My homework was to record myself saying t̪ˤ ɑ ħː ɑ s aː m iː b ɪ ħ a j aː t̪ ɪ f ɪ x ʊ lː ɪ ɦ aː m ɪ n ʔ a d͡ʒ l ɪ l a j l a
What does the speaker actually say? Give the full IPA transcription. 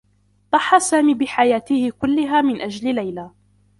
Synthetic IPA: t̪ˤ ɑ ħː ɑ s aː m iː b ɪ ħ a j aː t̪ ɪ h ɪ k ʊ lː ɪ ɦ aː m ɪ n ʔ a d͡ʒ l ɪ l a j l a